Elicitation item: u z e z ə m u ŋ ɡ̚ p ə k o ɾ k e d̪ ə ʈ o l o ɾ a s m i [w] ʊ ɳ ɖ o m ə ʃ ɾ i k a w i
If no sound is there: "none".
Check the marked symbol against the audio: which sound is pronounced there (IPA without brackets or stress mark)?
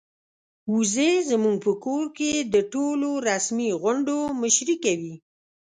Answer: ɣ